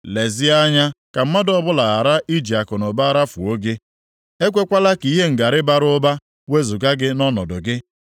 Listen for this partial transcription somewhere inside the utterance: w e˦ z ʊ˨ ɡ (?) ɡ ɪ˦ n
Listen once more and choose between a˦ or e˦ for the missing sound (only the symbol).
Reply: a˦